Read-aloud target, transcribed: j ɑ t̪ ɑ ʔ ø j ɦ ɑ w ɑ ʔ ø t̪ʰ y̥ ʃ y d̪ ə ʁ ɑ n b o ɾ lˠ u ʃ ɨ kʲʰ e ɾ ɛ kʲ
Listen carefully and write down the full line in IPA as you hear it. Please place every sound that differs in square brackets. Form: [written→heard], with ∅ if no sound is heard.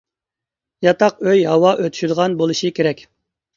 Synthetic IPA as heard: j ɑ t̪ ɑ [ʔ→q] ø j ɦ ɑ w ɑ ʔ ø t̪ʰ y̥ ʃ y d̪ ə ʁ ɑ n b o [ɾ→∅] lˠ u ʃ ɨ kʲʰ e ɾ ɛ kʲ

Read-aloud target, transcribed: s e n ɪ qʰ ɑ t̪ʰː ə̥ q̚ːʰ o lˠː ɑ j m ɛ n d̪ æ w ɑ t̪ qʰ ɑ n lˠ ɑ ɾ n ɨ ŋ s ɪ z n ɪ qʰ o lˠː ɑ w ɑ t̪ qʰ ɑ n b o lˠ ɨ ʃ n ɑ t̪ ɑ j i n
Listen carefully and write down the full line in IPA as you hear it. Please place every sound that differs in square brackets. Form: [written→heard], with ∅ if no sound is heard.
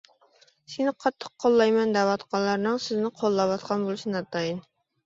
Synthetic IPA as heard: s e n ɪ qʰ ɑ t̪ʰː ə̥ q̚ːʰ o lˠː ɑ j m ɛ n d̪ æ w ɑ t̪ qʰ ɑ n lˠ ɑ ɾ n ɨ ŋ s ɪ z n ɪ qʰ o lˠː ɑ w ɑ t̪ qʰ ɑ n b o lˠ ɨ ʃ n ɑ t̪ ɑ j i n

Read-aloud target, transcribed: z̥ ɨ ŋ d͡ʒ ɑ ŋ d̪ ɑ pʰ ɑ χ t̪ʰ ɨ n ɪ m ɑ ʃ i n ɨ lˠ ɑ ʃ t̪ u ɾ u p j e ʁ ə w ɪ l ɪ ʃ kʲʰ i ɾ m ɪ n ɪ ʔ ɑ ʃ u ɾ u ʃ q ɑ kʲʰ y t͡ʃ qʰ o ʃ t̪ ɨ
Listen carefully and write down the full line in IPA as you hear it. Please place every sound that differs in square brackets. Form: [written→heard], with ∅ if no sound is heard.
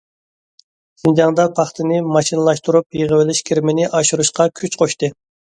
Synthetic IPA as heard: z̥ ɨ [ŋ→n] d͡ʒ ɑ ŋ d̪ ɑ pʰ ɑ χ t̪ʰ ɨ n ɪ m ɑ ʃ i n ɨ lˠ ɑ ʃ t̪ u ɾ u p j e ʁ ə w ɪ l ɪ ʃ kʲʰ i ɾ m ɪ n ɪ ʔ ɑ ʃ u ɾ u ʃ q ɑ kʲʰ y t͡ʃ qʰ o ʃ t̪ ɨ

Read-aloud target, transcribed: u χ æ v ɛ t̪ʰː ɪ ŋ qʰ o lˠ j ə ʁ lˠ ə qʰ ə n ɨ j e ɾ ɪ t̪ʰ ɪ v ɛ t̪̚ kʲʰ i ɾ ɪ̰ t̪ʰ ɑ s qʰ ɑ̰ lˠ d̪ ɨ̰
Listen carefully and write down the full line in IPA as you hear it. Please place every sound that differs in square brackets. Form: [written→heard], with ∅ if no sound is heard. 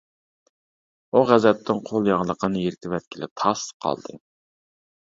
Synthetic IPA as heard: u [χ→ʁ] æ [v→z] ɛ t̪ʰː ɪ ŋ qʰ o lˠ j [ə→ɑ] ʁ lˠ ə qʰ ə n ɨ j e ɾ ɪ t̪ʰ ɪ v ɛ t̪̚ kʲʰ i [ɾ→l] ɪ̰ t̪ʰ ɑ s qʰ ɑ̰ lˠ d̪ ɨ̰

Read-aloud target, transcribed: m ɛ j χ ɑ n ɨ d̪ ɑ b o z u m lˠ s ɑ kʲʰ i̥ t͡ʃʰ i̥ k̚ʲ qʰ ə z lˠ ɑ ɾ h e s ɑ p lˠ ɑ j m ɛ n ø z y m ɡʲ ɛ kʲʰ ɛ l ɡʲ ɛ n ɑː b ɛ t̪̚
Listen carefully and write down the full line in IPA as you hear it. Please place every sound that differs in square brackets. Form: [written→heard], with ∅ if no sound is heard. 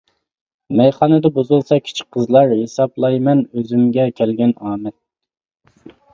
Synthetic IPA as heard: m ɛ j χ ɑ n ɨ d̪ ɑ b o z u [m→∅] lˠ s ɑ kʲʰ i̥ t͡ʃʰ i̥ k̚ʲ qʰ ə z lˠ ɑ ɾ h e s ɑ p lˠ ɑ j m ɛ n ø z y m ɡʲ ɛ kʲʰ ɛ l ɡʲ ɛ n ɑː [b→m] ɛ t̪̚

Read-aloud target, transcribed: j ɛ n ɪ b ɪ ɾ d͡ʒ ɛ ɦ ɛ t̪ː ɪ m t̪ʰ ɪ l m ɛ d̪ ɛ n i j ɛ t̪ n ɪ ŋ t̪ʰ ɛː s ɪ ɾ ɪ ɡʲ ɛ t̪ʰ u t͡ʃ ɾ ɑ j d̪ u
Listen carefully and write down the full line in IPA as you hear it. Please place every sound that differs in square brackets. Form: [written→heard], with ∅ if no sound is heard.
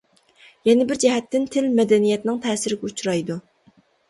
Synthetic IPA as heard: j ɛ n ɪ b ɪ ɾ d͡ʒ ɛ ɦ ɛ t̪ː ɪ [m→n] t̪ʰ ɪ l m ɛ d̪ ɛ n i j ɛ t̪ n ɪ ŋ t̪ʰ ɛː s ɪ ɾ ɪ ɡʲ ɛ [t̪ʰ→∅] u t͡ʃ ɾ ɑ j d̪ u

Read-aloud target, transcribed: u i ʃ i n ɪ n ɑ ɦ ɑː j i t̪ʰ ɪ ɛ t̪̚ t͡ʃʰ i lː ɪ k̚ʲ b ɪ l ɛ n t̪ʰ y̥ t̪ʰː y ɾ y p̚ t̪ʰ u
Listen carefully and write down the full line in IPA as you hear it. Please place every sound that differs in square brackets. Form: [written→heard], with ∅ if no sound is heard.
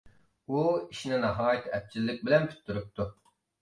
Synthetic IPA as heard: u i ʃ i n ɪ n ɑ ɦ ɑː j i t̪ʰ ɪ ɛ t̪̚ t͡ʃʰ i lː ɪ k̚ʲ b ɪ l ɛ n t̪ʰ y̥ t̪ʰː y ɾ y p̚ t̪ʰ u

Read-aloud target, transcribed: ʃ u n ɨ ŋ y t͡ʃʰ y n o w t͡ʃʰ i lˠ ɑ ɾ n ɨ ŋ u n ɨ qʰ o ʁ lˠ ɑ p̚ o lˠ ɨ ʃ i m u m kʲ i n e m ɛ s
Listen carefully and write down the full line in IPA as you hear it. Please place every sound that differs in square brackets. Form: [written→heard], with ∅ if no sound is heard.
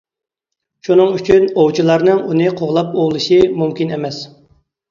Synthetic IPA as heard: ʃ u n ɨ ŋ y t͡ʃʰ y n o w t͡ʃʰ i lˠ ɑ ɾ n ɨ ŋ u n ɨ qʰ o ʁ lˠ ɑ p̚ o lˠ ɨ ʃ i m u m kʲ i n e m ɛ s

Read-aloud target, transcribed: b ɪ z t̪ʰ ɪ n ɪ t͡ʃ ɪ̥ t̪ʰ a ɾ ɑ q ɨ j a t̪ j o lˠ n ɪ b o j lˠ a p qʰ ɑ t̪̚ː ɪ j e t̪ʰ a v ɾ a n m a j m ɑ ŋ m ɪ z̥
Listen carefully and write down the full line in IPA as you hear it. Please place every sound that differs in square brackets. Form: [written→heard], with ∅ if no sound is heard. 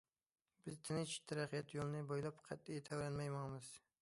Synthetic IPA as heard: b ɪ z t̪ʰ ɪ n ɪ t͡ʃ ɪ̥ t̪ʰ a ɾ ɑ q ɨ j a t̪ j o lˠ n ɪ b o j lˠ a p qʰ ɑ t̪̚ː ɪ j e t̪ʰ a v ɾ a n m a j m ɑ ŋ m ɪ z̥

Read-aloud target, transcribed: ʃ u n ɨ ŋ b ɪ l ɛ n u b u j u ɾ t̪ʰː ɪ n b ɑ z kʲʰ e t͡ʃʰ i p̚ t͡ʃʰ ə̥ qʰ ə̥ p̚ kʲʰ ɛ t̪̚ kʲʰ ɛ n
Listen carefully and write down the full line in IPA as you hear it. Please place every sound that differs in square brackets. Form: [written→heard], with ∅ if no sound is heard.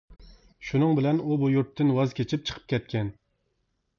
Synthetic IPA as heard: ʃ u n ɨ ŋ b ɪ l ɛ n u b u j u ɾ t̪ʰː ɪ n [b→w] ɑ z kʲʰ e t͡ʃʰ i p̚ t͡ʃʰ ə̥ qʰ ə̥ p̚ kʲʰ ɛ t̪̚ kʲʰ ɛ n

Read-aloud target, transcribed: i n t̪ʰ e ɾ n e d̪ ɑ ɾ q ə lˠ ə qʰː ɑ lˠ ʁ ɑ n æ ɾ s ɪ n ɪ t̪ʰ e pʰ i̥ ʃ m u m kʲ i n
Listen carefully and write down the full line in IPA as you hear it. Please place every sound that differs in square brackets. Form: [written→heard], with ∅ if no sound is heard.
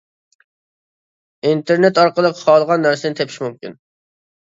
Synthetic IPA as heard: i n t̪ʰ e ɾ n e [d̪→t̪] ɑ ɾ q ə lˠ ə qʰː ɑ lˠ ʁ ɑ [n→nː] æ ɾ s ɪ n ɪ t̪ʰ e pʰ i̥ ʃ m u m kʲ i n

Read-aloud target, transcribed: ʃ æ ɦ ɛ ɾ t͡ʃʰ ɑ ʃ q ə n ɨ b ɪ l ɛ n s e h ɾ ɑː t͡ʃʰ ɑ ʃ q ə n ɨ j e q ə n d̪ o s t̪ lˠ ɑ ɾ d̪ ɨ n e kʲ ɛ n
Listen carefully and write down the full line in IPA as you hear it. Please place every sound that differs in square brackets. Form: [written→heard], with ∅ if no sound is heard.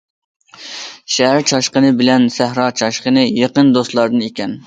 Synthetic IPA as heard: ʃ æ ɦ [ɛ→æ] ɾ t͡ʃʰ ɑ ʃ q ə n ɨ b ɪ l ɛ n s [e→æ] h ɾ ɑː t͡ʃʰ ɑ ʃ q ə n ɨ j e q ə n d̪ o s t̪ lˠ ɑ ɾ d̪ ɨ n e kʲ ɛ n

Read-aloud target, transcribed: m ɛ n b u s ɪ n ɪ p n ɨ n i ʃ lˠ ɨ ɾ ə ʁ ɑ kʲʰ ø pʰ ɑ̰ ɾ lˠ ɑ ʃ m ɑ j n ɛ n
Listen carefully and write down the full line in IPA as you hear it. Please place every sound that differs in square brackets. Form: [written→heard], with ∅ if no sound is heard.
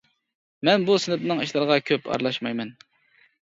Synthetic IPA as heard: m ɛ n b u s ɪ n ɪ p n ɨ [n→ŋ] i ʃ lˠ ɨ ɾ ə ʁ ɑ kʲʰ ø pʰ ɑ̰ ɾ lˠ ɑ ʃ m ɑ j [n→m] ɛ n

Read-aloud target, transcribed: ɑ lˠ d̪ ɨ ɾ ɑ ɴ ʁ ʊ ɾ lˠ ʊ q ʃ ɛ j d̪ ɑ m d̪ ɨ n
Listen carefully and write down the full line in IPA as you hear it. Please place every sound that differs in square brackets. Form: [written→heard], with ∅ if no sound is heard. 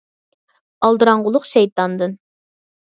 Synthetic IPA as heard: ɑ lˠ d̪ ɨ ɾ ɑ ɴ ʁ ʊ [ɾ→∅] lˠ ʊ q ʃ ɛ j [d̪→t̪] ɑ [m→n] d̪ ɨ n

